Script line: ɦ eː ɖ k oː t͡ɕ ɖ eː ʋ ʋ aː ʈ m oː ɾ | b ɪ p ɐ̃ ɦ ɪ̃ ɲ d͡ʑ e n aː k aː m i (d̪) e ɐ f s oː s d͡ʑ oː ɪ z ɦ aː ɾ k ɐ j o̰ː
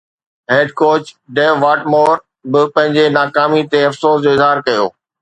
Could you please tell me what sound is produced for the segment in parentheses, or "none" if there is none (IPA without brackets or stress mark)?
t̪